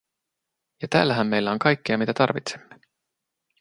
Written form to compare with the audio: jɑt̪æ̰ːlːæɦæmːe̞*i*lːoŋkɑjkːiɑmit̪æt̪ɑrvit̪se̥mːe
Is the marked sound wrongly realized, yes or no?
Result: yes